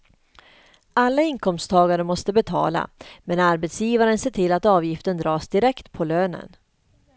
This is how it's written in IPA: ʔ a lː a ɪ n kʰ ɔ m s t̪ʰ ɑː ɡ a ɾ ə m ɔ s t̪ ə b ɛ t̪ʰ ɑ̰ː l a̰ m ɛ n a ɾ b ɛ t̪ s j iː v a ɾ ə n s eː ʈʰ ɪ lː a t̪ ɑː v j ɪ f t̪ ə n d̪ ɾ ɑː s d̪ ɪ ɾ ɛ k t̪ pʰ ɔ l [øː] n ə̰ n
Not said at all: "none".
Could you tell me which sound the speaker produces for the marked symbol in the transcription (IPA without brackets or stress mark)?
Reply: øː